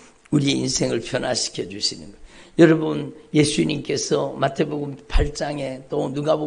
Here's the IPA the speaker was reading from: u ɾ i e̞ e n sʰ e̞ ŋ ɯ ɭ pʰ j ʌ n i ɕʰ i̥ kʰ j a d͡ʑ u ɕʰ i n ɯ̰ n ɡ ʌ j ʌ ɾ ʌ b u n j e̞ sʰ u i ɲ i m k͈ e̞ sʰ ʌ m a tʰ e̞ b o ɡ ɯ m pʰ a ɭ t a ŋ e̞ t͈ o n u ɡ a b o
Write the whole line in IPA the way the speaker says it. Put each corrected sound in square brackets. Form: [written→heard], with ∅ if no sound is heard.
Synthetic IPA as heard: u ɾ i e̞ [e→i] n sʰ e̞ ŋ ɯ ɭ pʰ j ʌ n [i→a] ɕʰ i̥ kʰ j [a→ʌ] d͡ʑ u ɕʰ i n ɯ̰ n ɡ ʌ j ʌ ɾ ʌ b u n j e̞ sʰ u i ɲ i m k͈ e̞ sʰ ʌ m a tʰ e̞ b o ɡ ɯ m pʰ a ɭ [t→t͡ɕ͈] a ŋ e̞ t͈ o n u ɡ a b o